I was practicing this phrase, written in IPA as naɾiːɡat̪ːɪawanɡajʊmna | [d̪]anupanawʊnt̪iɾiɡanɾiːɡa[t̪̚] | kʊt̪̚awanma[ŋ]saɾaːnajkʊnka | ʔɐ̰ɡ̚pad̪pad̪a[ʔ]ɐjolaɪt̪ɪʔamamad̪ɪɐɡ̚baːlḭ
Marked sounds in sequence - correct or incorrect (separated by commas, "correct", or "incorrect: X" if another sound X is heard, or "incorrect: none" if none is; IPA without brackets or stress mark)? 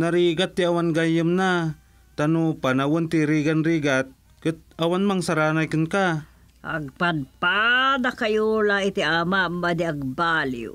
incorrect: t̪, correct, correct, incorrect: k